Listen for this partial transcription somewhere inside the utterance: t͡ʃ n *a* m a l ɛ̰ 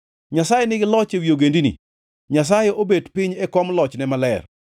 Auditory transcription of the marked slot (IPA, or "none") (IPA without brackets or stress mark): ɛ